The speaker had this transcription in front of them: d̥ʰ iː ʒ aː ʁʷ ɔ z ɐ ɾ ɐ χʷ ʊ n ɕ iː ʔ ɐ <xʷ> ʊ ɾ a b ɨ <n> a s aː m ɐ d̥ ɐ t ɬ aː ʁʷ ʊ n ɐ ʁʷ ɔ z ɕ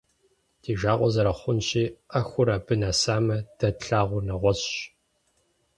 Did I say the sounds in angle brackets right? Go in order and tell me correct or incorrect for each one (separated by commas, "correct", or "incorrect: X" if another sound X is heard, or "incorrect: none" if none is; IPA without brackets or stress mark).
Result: correct, correct